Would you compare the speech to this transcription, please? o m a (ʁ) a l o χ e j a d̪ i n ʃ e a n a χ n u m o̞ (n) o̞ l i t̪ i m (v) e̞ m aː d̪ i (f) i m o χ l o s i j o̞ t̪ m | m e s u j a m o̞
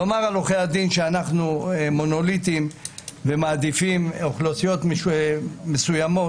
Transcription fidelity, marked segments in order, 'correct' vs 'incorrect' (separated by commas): correct, correct, correct, correct